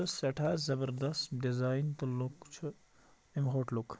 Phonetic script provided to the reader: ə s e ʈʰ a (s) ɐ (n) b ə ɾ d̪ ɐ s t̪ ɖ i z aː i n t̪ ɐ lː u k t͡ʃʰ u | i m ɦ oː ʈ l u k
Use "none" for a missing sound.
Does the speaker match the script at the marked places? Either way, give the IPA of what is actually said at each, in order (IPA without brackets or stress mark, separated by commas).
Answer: z, none